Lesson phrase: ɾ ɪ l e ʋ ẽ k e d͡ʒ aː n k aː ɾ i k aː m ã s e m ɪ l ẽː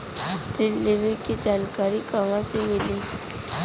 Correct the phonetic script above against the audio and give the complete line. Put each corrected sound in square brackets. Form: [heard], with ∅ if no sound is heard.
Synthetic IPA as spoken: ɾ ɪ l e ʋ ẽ k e d͡ʒ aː n k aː ɾ i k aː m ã s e m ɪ l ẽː